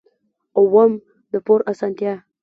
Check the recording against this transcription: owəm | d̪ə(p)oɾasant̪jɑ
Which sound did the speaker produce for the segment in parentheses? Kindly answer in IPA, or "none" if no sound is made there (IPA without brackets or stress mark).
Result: p